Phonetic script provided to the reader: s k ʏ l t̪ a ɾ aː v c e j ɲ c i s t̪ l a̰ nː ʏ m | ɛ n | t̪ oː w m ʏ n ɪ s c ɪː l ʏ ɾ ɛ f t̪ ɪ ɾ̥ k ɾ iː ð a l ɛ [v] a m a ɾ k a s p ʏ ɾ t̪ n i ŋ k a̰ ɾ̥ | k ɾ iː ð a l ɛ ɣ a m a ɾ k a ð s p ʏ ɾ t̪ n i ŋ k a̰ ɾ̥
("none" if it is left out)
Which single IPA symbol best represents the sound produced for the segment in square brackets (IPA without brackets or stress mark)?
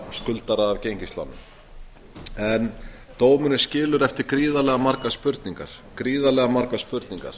ɣ